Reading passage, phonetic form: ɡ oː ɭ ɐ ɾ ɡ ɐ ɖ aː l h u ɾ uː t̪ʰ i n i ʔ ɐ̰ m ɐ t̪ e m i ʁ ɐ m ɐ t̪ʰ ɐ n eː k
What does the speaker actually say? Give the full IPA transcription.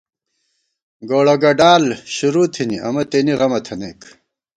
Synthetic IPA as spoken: ɡ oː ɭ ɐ ɡ ɐ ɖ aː l ɕ u ɾ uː t̪ʰ i n i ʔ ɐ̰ m ɐ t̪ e n i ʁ ɐ m ɐ t̪ʰ ɐ n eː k